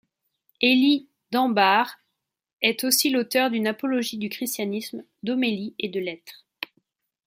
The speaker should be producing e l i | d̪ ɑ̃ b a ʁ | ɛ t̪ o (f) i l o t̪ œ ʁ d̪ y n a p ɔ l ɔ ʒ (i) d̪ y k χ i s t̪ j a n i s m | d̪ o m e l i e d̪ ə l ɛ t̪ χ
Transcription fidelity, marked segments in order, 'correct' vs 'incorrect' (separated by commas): incorrect, correct